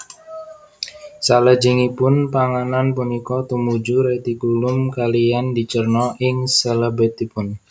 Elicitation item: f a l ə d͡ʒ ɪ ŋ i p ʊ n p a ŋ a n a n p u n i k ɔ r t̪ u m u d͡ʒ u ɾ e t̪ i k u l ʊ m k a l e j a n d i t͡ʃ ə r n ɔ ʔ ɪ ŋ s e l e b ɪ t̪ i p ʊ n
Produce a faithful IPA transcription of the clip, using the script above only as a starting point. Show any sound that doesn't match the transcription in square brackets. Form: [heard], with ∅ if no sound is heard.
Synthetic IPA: [s] a l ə d͡ʒ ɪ ŋ i p ʊ n p a ŋ a n a n p u n i k ɔ [∅] t̪ u m u d͡ʒ u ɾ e t̪ i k u l ʊ m k a l [i] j a n d i t͡ʃ ə r n ɔ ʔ ɪ ŋ s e l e b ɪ t̪ i p ʊ n

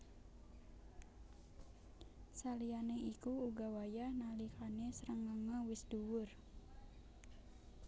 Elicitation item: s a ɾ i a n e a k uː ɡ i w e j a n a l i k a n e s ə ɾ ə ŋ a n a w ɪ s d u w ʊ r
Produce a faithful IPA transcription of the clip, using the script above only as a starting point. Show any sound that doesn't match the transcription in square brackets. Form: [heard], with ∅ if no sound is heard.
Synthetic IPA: s a [l] i a n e [i] k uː ɡ [a] w [a] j a n a l i k a n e s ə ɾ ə ŋ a [ŋ] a w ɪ s d u w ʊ r

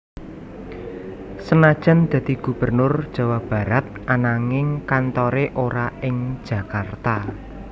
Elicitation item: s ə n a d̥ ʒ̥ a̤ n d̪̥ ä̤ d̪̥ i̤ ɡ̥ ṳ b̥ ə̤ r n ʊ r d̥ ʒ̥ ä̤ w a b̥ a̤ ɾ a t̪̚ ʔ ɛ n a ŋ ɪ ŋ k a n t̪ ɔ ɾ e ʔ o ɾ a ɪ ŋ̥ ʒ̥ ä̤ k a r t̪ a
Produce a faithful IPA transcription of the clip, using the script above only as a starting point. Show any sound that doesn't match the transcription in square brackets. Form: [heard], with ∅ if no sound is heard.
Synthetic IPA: s ə n a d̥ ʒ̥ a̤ n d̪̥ ä̤ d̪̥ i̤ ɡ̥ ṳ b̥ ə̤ r n ʊ r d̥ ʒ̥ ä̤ w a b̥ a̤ ɾ a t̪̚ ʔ [a] n a ŋ ɪ ŋ k a n t̪ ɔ ɾ e ʔ o ɾ a ɪ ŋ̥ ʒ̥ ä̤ k a r t̪ a

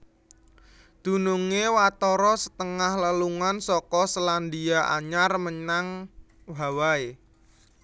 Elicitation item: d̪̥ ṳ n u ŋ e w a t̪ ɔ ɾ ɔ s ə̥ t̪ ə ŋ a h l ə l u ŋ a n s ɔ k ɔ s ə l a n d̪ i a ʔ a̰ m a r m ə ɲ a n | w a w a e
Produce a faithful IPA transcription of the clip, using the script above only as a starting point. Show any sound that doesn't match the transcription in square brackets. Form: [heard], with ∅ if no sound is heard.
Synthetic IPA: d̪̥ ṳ n u ŋ e w a t̪ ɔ ɾ ɔ s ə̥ t̪ ə ŋ a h l ə l u ŋ a n s ɔ k ɔ s ə l a n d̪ i a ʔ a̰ [ɲ] a r m ə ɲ a [ŋ] | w a w a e

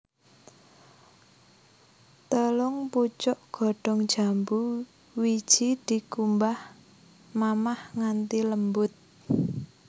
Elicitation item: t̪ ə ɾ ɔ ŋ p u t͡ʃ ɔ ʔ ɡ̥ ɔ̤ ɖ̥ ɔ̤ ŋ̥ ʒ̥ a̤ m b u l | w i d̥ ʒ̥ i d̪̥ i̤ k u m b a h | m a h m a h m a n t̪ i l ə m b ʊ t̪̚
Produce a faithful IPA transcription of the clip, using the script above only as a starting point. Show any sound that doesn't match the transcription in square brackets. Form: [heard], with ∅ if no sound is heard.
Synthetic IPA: t̪ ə [l] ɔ ŋ p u t͡ʃ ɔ ʔ ɡ̥ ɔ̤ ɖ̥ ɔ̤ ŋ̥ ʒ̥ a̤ m b u [∅] | w i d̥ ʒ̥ i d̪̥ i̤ k u m b a h | m a [∅] m a h [ŋ] a n t̪ i l ə m b ʊ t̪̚

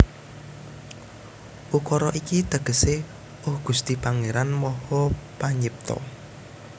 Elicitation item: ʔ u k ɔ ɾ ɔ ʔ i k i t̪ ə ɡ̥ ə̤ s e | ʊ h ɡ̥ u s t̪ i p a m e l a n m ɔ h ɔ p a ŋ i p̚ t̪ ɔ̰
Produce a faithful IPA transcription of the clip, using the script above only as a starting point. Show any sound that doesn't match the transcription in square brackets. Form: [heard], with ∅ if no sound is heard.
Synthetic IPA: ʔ u k ɔ ɾ ɔ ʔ i k i t̪ ə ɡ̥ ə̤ s e | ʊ h ɡ̥ u s t̪ i p a [ŋ] e [ɾ] a n m ɔ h ɔ p a [ɲ] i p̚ t̪ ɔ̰

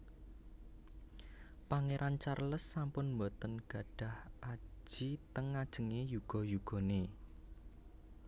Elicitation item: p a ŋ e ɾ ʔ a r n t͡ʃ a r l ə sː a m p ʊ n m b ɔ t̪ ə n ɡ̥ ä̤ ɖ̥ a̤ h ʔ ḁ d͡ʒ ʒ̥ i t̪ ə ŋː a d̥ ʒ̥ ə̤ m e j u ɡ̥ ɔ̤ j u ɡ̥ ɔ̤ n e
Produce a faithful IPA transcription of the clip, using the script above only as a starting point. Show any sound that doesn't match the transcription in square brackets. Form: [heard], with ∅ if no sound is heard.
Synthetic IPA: p a ŋ e ɾ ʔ a [∅] n t͡ʃ a r l ə sː a m p ʊ n m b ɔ t̪ ə n ɡ̥ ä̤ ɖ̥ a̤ h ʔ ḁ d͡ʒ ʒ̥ i t̪ ə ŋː a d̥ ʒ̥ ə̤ [ŋ] e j u ɡ̥ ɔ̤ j u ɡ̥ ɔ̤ n e

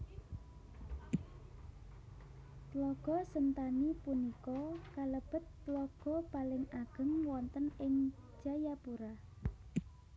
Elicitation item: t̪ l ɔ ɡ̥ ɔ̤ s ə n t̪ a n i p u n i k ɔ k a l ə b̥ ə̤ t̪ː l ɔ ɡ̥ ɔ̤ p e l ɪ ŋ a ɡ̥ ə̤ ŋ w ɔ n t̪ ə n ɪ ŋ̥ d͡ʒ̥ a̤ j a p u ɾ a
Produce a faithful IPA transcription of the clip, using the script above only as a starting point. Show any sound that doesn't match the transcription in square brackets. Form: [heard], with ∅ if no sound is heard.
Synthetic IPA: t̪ l ɔ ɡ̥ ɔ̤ s ə n t̪ a n i p u n i k ɔ k a l ə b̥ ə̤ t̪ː l ɔ ɡ̥ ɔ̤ p [a] l ɪ ŋ a ɡ̥ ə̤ ŋ w ɔ n t̪ ə n ɪ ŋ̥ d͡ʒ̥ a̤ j a p u ɾ a

